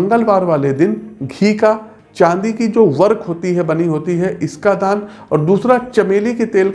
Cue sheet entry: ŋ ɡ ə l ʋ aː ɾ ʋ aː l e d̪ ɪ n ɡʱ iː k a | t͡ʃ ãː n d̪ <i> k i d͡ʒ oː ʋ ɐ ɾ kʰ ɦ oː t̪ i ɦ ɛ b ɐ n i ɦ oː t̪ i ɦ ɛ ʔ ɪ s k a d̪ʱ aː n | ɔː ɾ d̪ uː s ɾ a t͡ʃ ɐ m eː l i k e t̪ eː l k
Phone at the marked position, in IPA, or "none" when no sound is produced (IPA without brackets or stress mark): i